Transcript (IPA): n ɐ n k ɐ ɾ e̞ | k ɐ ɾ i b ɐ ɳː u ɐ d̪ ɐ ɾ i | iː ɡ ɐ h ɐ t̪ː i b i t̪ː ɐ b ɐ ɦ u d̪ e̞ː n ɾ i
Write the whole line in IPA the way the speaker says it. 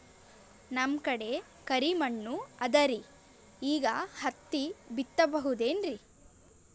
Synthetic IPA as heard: n ɐ m k ɐ ɽ e̞ | k ɐ ɾ i m ɐ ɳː u ɐ d̪ ɐ ɾ i | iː ɡ ɐ h ɐ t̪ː i b i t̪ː ɐ b ɐ ɦ u d̪ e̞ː n ɾ i

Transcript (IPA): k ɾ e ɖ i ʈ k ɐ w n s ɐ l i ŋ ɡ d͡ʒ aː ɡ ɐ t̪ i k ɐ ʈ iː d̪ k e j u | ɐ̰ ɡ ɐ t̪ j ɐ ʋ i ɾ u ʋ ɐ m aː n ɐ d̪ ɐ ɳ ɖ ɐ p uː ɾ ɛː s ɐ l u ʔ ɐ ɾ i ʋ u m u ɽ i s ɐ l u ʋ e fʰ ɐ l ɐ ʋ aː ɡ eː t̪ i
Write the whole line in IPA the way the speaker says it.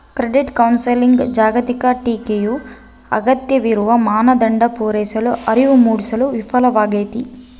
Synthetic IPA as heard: k ɾ e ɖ i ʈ k ɐ w n s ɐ l i ŋ ɡ d͡ʒ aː ɡ ɐ t̪ i k ɐ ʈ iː k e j u | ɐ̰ ɡ ɐ t̪ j ɐ ʋ i ɾ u ʋ ɐ m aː n ɐ d̪ ɐ ɳ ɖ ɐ p uː ɾ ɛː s ɐ l u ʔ ɐ ɾ i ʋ u m uː ɽ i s ɐ l u ʋ i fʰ ɐ l ɐ ʋ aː ɡ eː t̪ i

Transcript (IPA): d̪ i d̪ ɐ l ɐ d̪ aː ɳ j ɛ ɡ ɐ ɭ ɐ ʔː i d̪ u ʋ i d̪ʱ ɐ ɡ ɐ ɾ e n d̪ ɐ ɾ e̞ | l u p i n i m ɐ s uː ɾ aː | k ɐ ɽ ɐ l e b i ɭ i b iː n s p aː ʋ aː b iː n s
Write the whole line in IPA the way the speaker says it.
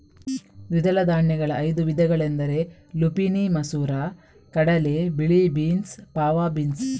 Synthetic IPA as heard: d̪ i d̪ ɐ l ɐ d̪ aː ɳ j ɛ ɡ ɐ ɭ ɐ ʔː j d̪ u ʋ i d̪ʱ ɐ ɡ ɐ ɭ e n d̪ ɐ ɾ e̞ | l u p i n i m ɐ s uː ɾ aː | k ɐ ɽ ɐ l e b i ɭ i b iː n s p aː ʋ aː b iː n s

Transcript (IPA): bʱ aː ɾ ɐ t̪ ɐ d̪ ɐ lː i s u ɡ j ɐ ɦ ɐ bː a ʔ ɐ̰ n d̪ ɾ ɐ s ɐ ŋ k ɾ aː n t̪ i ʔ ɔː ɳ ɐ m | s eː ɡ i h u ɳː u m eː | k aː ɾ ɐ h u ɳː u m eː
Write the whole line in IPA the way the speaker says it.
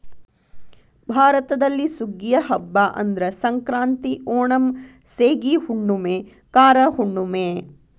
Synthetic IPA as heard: bʱ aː ɾ ɐ t̪ ɐ d̪ ɐ lː i s u ɡ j ɐ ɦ ɐ bː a ʔ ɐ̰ n d̪ ɾ ɐ s ɐ ŋ k ɾ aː n t̪ i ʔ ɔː ɳ ɐ m | s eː ɡ i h u ɳː u m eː | k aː ɾ ɐ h u ɳː u m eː

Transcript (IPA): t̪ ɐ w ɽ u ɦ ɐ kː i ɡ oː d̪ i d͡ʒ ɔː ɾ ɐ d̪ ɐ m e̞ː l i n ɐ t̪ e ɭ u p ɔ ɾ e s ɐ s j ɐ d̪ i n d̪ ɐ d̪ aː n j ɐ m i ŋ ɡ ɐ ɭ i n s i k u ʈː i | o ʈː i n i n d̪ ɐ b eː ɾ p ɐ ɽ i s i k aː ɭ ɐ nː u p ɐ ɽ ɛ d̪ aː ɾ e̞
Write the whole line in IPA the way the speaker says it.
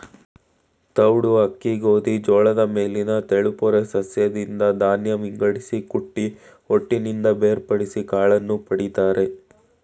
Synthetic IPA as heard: t̪ ɐ w ɽ u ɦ ɐ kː i ɡ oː d̪ i d͡ʒ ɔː ɭ ɐ d̪ ɐ m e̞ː l i n ɐ t̪ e ɭ u p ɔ ɾ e s ɐ s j ɐ d̪ i n d̪ ɐ d̪ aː n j ɐ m i ŋ ɡ ɐ ɽ i s i k u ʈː i | o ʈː i n i n d̪ ɐ b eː ɾ p ɐ ɽ i s i k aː ɭ ɐ nː u p ɐ ɽ i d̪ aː ɾ e̞

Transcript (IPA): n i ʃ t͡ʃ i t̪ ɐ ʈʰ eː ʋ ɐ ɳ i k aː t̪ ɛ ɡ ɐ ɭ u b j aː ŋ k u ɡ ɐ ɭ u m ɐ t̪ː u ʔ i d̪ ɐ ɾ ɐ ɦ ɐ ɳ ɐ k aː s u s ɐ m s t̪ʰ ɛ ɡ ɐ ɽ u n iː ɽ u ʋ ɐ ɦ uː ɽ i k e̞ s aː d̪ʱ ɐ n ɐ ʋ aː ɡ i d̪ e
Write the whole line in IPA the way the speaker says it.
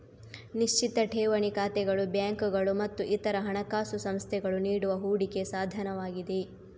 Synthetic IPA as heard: n i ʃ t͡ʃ i t̪ ɐ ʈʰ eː ʋ ɐ ɳ i k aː t̪ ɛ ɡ ɐ ɭ u b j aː ŋ k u ɡ ɐ ɭ u m ɐ t̪ː u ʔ i t̪ ɐ ɾ ɐ ɦ ɐ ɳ ɐ k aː s u s ɐ m s t̪ʰ ɛ ɡ ɐ ɭ u n iː ɽ u ʋ ɐ ɦ uː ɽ i k e̞ s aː d̪ʱ ɐ n ɐ ʋ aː ɡ i d̪ e

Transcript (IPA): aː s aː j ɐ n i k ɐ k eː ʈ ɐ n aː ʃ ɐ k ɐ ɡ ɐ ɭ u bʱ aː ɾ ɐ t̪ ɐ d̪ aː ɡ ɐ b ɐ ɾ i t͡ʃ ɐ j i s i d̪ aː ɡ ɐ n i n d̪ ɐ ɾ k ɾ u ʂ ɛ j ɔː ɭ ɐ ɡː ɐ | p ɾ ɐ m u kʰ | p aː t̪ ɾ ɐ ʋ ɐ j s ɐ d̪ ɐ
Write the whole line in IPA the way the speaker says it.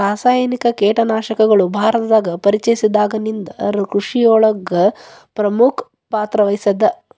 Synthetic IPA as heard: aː s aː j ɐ n i k ɐ k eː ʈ ɐ n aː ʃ ɐ k ɐ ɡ ɐ ɭ u bʱ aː ɾ ɐ t̪ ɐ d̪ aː ɡ ɐ p ɐ ɾ i t͡ʃ ɐ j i s i d̪ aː ɡ ɐ n i n d̪ ɐ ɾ k ɾ u ʂ i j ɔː ɭ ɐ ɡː ɐ | p ɾ ɐ m u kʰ | p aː t̪ ɾ ɐ ʋ ɐ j s ɐ d̪ ɐ

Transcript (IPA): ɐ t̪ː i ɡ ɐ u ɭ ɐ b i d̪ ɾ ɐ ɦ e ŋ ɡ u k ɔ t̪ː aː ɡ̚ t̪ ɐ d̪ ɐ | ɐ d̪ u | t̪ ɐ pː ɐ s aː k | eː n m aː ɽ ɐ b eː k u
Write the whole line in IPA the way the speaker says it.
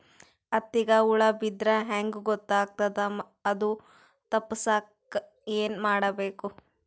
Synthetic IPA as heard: ɐ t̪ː i ɡ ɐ u ɭ ɐ b i d̪ ɾ ɐ ɦ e ŋ ɡ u ɡ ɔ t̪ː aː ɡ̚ t̪ ɐ d̪ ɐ | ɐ d̪ u | t̪ ɐ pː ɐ s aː k | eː n m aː ɽ ɐ b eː k u

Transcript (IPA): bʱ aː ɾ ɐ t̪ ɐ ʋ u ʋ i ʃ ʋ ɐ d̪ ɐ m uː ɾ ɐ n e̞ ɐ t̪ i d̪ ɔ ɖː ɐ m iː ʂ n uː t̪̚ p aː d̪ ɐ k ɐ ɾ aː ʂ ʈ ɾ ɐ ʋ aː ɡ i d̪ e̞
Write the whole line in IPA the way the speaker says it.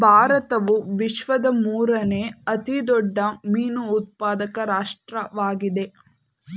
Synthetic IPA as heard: bʱ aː ɾ ɐ t̪ ɐ ʋ u ʋ i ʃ ʋ ɐ d̪ ɐ m uː ɾ ɐ n e̞ ɐ t̪ i d̪ ɔ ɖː ɐ m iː n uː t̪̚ p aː d̪ ɐ k ɐ ɾ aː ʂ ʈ ɾ ɐ ʋ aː ɡ i d̪ e̞

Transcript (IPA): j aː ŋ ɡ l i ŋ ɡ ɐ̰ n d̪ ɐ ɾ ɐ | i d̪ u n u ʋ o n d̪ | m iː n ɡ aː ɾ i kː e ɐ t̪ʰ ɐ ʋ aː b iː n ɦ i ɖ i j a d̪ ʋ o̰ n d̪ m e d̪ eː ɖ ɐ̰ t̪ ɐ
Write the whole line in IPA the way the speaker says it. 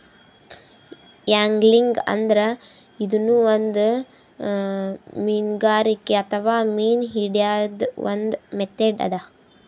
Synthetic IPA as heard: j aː ŋ ɡ l i ŋ ɡ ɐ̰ n d̪ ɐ ɾ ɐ | i d̪ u n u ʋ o n d̪ | m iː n ɡ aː ɾ i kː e ɐ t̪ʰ ɐ ʋ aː m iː n ɦ i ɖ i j a d̪ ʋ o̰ n d̪ m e t̪ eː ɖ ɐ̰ d̪ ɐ

